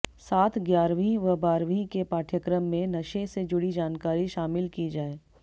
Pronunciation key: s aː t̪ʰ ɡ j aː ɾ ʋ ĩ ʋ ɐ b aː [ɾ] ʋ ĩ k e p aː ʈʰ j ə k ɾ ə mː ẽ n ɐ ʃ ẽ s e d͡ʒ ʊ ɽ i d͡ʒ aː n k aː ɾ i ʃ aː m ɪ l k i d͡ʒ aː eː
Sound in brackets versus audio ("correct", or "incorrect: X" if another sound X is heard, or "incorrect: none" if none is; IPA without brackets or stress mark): correct